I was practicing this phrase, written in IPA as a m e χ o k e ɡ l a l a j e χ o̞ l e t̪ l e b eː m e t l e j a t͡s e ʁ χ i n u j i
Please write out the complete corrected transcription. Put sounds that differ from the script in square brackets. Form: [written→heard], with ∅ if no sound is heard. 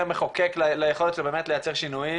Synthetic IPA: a m e χ o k e [ɡ→k] l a l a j e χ o̞ l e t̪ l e b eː m e t l e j a t͡s e ʁ [χ→ʃ] i n u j i